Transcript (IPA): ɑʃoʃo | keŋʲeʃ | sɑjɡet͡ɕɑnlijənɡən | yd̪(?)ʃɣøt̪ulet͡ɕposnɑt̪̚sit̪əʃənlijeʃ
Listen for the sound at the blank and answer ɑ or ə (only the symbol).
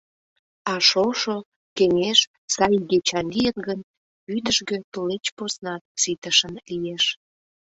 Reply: ə